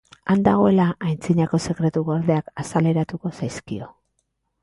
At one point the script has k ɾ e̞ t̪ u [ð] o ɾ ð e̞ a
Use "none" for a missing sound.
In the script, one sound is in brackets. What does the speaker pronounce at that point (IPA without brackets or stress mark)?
ɣ